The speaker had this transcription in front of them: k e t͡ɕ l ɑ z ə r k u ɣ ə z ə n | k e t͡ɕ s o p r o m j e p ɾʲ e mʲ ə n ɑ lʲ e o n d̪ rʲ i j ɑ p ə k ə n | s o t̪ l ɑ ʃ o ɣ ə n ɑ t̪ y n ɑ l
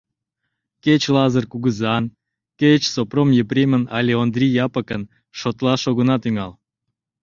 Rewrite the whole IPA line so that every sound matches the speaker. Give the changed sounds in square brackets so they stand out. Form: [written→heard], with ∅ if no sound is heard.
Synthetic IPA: k e t͡ɕ l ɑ z ə r k u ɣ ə z [ə→ɑ] n | k e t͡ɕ s o p r o m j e p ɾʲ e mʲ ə n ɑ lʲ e o n d̪ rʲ i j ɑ p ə k ə n | [s→ʃ] o t̪ l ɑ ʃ o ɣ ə n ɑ t̪ y [n→ŋ] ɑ l